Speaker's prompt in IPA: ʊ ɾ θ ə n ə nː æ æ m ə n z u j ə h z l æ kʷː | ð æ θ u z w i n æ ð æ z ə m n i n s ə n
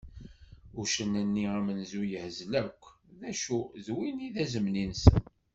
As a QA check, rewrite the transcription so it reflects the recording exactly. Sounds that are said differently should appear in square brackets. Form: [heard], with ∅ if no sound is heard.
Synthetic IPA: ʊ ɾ [ʃ] ə n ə nː [i] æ m ə n z u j ə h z l æ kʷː | ð æ [ʃ] u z w i n [i] ð æ z ə m n i n s ə n

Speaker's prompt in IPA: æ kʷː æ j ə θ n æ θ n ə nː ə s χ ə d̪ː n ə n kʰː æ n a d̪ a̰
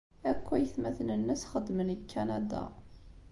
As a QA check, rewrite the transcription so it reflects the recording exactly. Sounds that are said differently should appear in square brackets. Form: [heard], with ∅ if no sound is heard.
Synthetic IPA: æ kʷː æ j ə θ [m] æ θ n ə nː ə s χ ə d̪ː [m] ə n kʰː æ n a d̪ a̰

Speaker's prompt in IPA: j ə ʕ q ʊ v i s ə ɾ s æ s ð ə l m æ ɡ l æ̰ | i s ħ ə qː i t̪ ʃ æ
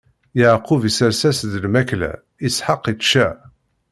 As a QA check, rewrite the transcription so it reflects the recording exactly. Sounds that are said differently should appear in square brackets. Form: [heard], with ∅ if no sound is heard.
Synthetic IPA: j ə ʕ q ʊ v i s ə ɾ s æ s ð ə l m æ [k] l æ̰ | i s ħ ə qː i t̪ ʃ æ

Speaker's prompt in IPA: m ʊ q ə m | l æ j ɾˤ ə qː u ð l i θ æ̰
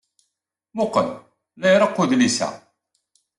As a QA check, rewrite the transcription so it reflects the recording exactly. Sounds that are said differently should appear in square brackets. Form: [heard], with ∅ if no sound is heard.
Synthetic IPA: m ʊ q ə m | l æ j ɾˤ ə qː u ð l i [s] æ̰

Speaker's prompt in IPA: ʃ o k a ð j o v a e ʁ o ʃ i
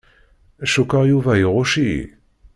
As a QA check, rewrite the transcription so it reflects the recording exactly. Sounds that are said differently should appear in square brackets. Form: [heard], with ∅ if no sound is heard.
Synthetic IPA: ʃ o k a [ʁ] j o v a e ʁ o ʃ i

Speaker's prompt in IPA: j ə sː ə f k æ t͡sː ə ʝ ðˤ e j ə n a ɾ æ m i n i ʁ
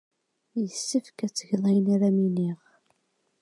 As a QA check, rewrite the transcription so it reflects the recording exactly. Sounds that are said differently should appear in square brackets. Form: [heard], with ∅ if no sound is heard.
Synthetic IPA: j ə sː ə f k æ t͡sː ə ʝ ðˤ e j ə n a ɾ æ m i n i ʁ

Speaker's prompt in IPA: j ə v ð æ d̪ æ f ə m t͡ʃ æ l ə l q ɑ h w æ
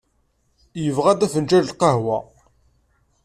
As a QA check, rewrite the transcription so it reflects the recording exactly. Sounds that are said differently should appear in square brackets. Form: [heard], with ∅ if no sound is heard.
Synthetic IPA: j ə v [ʁ] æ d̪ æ f ə [n] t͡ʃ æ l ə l q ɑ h w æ

